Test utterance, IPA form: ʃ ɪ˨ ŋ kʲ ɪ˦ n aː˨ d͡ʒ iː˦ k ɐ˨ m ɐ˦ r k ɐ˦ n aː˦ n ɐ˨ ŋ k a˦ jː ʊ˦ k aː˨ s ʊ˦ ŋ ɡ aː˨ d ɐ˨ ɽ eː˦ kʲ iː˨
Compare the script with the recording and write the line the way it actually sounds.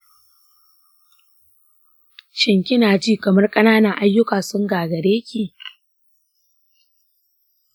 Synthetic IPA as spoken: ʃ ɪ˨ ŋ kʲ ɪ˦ n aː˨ d͡ʒ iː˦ k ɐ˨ m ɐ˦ r kʼ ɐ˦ n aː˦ n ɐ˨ ŋ ʔ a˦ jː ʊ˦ k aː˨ s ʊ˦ ŋ ɡ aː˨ ɡ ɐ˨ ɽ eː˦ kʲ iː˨